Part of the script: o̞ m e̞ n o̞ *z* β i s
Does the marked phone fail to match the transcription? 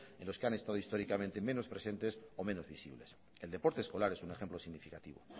no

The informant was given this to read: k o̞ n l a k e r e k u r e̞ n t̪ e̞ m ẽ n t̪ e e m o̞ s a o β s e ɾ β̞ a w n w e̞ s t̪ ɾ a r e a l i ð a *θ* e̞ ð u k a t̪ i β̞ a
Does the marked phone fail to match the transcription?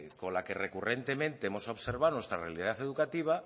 no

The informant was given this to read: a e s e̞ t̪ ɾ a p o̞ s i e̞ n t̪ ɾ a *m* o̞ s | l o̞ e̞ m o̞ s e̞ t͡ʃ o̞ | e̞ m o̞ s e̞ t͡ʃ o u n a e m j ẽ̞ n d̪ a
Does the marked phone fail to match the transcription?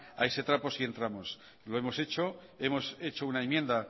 no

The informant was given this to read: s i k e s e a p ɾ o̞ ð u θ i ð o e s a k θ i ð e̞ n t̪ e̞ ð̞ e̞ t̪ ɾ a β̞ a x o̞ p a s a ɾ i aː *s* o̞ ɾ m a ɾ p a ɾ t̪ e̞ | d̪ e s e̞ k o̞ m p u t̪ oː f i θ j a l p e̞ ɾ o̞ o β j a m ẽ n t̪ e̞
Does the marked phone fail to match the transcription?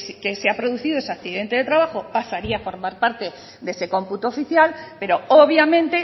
yes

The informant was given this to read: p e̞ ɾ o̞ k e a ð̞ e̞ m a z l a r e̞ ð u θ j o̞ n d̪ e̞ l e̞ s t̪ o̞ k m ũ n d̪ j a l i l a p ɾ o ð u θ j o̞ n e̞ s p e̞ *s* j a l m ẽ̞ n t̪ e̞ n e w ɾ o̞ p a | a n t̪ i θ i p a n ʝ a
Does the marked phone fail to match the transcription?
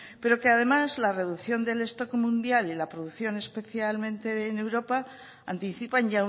yes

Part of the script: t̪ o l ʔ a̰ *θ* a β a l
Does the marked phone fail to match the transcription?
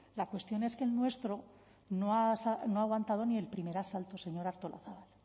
no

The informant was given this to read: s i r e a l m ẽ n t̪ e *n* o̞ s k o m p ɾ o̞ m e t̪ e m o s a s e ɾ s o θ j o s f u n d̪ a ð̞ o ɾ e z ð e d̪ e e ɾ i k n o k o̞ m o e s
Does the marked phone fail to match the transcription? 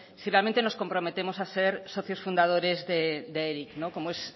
no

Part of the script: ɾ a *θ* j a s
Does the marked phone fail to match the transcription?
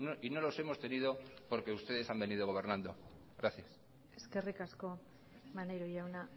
no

